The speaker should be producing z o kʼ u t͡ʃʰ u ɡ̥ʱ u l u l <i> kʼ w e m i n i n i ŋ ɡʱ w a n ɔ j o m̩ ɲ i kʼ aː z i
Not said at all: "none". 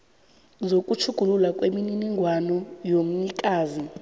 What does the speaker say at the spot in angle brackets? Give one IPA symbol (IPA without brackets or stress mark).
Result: a